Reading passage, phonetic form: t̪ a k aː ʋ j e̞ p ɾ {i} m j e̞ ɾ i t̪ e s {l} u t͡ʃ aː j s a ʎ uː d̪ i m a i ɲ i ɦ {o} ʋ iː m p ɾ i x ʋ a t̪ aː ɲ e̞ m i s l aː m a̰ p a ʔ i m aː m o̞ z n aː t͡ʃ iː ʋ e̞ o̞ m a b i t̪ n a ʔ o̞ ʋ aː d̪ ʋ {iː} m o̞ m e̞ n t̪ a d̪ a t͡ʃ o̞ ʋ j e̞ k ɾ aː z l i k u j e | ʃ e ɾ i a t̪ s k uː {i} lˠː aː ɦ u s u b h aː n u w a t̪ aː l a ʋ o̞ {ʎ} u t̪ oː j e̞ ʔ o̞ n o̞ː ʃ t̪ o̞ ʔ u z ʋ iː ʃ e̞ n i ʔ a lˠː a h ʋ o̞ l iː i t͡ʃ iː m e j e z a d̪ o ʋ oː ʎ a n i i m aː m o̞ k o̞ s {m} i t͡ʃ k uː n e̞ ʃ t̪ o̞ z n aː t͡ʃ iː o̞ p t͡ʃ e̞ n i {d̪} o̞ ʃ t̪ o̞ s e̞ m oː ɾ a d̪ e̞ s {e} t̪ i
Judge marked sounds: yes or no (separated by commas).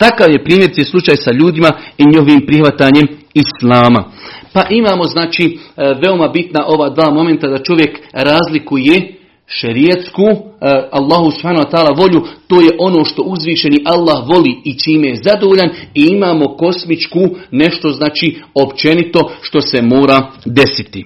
no, yes, yes, no, no, yes, yes, no, no